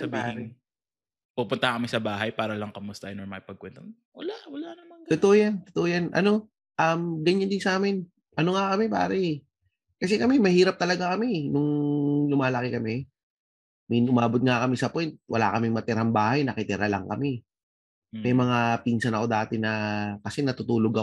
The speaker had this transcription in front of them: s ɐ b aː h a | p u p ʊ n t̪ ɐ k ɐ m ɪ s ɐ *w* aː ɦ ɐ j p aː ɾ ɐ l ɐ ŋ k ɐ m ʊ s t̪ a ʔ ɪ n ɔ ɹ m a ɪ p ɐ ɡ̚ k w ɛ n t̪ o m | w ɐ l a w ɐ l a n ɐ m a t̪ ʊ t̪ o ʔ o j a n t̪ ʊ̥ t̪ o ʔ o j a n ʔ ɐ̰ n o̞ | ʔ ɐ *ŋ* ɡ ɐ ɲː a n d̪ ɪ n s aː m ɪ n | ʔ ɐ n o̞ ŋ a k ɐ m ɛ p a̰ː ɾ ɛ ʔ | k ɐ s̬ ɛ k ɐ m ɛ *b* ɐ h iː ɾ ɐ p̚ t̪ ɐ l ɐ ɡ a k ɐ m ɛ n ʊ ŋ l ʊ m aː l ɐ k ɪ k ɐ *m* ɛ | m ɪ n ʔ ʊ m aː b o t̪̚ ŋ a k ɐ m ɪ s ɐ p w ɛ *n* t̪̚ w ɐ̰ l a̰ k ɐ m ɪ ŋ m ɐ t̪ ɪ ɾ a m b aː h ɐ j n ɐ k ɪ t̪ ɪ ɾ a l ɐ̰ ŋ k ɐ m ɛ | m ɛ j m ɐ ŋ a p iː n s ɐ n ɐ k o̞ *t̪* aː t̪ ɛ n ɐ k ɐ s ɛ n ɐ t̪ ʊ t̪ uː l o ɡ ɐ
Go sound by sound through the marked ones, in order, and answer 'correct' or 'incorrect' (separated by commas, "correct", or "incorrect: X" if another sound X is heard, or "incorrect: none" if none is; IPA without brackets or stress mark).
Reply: incorrect: b, incorrect: m, incorrect: m, correct, correct, incorrect: d̪